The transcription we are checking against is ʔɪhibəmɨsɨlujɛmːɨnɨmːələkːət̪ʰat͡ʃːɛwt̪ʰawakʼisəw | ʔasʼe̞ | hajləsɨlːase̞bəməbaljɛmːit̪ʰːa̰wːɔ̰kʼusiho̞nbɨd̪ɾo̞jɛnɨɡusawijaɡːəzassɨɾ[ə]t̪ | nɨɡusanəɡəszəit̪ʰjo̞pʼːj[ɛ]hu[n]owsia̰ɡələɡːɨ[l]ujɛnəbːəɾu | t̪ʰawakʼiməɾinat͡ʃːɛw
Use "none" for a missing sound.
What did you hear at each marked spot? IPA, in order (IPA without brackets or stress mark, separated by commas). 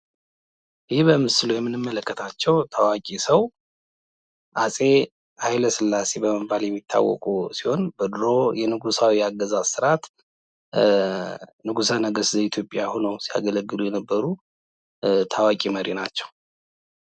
a, a, n, l